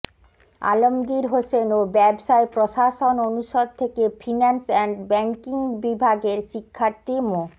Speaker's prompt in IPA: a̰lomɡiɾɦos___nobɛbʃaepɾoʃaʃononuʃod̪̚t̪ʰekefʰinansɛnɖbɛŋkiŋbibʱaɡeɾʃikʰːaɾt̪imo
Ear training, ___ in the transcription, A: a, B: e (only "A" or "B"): B